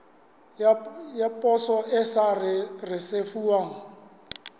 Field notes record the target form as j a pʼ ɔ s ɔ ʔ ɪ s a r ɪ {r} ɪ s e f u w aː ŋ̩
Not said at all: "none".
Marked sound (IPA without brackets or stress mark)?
r